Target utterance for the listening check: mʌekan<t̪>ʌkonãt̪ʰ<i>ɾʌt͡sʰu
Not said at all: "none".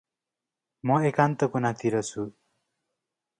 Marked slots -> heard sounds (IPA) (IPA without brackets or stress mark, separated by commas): t̪, i